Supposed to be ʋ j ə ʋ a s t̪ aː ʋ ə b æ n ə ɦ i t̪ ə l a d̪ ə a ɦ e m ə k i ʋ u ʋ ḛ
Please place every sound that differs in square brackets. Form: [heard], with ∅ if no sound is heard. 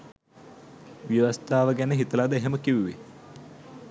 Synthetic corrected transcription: ʋ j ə ʋ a s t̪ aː ʋ ə [ɡ] æ n ə ɦ i t̪ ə l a d̪ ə [e] ɦ e m ə k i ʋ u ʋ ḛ